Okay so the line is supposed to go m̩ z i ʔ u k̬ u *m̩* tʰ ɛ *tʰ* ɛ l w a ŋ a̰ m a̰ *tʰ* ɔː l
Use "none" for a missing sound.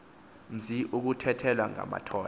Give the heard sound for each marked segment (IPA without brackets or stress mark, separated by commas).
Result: none, tʰ, tʰ